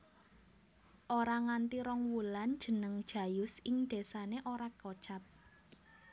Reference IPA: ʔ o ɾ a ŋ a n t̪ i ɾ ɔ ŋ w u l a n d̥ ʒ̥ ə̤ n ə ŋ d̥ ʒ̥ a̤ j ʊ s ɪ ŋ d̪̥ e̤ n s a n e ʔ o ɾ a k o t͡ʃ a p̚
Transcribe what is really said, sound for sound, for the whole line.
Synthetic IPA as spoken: ʔ o ɾ a ŋ a n t̪ i ɾ ɔ ŋ w u l a n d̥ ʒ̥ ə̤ n ə ŋ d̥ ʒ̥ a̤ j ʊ s ɪ ŋ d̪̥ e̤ s a n e ʔ o ɾ a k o t͡ʃ a p̚